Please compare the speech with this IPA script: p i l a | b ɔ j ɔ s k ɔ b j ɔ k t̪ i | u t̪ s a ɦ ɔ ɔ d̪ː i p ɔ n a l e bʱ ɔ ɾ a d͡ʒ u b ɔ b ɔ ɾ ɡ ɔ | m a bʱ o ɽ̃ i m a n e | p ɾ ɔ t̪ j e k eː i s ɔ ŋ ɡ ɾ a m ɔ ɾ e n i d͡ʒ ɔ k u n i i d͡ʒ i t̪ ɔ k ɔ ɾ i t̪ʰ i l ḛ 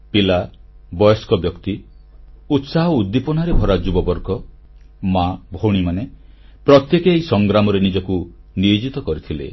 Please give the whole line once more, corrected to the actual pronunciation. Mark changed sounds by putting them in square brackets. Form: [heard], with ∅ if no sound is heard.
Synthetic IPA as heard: p i l a | b ɔ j ɔ s k ɔ b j ɔ k t̪ i | u t̪ s a ɦ ɔ [u] d̪ː i p ɔ n a [ɾ] e bʱ ɔ ɾ a d͡ʒ u b ɔ b ɔ ɾ ɡ ɔ | m a bʱ o ɽ̃ i m a n e | p ɾ ɔ t̪ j e k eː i s ɔ ŋ ɡ ɾ a m ɔ ɾ e n i d͡ʒ ɔ k u n i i d͡ʒ i t̪ ɔ k ɔ ɾ i t̪ʰ i l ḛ

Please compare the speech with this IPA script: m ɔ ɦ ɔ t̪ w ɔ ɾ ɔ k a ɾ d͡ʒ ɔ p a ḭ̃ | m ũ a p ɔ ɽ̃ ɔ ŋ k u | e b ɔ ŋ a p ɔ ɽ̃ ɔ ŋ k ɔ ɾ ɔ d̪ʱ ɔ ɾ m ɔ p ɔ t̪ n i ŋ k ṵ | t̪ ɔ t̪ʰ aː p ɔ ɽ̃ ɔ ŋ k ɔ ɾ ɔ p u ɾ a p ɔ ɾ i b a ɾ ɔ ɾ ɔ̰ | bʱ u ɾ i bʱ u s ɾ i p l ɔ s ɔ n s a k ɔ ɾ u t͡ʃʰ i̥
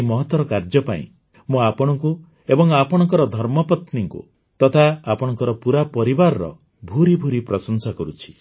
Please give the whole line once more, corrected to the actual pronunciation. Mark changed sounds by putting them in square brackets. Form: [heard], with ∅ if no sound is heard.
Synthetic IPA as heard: m ɔ ɦ ɔ t̪ w ɔ ɾ ɔ k a ɾ d͡ʒ ɔ p a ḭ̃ | m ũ a p ɔ ɽ̃ ɔ ŋ k u | e b ɔ ŋ a p ɔ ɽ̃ ɔ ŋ k ɔ ɾ ɔ d̪ʱ ɔ ɾ m ɔ p ɔ t̪ n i ŋ k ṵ | t̪ ɔ t̪ʰ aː p ɔ ɽ̃ ɔ ŋ k ɔ ɾ ɔ p u ɾ a p ɔ ɾ i b a ɾ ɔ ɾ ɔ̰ | bʱ u ɾ i bʱ u [∅] ɾ i p [ɾ] ɔ s ɔ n s a k ɔ ɾ u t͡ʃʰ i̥

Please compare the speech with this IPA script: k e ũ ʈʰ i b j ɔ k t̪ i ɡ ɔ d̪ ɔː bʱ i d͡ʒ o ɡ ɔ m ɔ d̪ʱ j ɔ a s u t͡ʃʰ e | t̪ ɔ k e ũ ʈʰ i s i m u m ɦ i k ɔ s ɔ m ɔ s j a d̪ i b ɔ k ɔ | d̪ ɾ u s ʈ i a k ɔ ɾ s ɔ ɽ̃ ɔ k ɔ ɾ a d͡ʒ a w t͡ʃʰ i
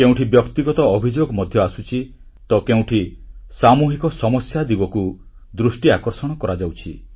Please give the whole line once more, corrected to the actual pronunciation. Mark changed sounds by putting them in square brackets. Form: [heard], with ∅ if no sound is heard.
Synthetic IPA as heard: k e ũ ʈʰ i b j ɔ k t̪ i ɡ ɔ [t̪] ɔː bʱ i d͡ʒ o ɡ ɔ m ɔ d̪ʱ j ɔ a s u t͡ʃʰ [i] | t̪ ɔ k e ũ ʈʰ i s [a] m u [∅] ɦ i k ɔ s ɔ m ɔ s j a d̪ i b ɔ k [u] | d̪ ɾ u s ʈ i a k ɔ ɾ s ɔ ɽ̃ ɔ k ɔ ɾ a d͡ʒ a w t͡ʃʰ i

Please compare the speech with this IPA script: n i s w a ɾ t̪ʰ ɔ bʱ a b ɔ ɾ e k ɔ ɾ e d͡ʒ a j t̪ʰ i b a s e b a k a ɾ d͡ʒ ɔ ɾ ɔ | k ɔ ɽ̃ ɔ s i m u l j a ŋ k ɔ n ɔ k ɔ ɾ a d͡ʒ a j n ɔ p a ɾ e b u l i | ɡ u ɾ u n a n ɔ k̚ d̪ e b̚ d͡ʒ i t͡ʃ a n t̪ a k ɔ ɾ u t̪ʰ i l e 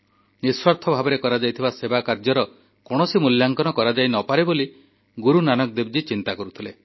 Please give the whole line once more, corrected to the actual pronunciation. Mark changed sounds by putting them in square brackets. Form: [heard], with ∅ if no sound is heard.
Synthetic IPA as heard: n i s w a ɾ t̪ʰ ɔ bʱ a b ɔ ɾ e k ɔ ɾ [a] d͡ʒ a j t̪ʰ i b a s e b a k a ɾ d͡ʒ ɔ ɾ ɔ | k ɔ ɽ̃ ɔ s i m u l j a ŋ k ɔ n ɔ k ɔ ɾ a d͡ʒ a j n ɔ p a ɾ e b [o] l i | ɡ u ɾ u n a n ɔ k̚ d̪ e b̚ d͡ʒ i t͡ʃ [i] n t̪ a k ɔ ɾ u t̪ʰ i l e

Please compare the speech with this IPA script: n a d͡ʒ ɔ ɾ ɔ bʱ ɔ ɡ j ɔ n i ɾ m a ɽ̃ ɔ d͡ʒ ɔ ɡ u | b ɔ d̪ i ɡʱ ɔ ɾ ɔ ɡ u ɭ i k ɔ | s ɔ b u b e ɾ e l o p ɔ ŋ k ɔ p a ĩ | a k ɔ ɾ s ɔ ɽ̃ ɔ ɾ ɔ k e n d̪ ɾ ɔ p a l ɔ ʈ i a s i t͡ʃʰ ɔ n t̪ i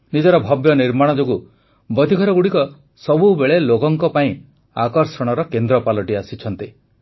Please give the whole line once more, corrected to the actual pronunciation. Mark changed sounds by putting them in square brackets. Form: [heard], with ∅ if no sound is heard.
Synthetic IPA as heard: n [i] d͡ʒ ɔ ɾ ɔ bʱ ɔ [b] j ɔ n i ɾ m a ɽ̃ ɔ d͡ʒ [o] ɡ u | b ɔ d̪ i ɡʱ ɔ ɾ ɔ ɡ u [ɽ] i k ɔ | s ɔ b u b e [ɭ] e l o [k] ɔ ŋ k ɔ p a ĩ | a k ɔ ɾ s ɔ ɽ̃ ɔ ɾ ɔ k e n d̪ ɾ ɔ p a l ɔ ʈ i a s i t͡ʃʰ ɔ n t̪ i

